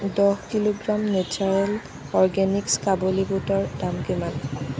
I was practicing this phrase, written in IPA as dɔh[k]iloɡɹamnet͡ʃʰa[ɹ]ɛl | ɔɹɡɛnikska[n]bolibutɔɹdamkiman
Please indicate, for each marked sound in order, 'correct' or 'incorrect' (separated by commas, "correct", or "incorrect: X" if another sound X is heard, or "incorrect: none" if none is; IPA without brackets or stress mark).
correct, correct, incorrect: none